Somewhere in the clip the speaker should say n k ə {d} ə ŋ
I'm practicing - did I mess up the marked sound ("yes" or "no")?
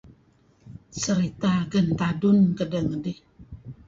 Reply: no